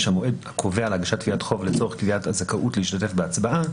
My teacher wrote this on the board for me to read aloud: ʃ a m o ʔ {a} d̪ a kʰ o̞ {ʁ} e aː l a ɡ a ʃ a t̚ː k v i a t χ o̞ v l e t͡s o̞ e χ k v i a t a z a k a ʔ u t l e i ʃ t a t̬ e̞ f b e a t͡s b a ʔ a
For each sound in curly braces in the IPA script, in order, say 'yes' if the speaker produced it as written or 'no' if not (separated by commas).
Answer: no, no